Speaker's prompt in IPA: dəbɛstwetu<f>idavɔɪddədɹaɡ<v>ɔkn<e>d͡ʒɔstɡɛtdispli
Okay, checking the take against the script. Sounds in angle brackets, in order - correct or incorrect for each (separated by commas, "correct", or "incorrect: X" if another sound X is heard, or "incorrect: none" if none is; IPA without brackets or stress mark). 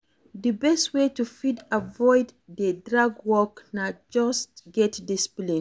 correct, incorrect: w, incorrect: a